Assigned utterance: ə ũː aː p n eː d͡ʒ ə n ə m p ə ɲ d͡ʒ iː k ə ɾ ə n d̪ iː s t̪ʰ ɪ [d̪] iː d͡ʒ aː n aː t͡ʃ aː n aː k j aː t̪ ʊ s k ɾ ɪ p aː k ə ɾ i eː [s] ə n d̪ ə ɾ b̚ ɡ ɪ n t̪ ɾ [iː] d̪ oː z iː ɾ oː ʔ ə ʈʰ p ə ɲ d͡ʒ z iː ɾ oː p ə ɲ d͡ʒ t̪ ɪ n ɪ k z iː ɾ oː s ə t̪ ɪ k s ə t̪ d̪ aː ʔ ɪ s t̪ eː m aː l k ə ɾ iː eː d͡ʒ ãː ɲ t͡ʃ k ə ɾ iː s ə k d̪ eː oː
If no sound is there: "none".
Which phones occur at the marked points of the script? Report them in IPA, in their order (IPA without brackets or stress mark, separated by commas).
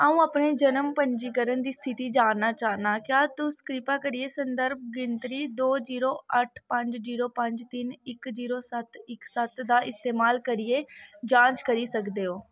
t̪, s, iː